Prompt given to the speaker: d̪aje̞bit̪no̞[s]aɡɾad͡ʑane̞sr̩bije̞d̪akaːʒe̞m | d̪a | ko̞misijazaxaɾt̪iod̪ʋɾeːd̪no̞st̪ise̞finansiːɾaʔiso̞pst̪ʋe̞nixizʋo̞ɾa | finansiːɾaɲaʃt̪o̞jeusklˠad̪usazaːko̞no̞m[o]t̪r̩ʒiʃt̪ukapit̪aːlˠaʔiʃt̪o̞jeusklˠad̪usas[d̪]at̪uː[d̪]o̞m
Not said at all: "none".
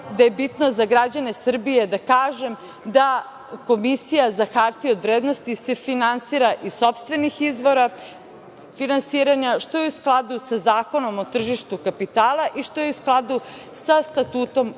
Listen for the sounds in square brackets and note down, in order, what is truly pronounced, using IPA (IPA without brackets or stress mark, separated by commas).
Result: z, o, t̪, t̪